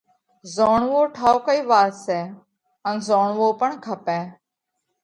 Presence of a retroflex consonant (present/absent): present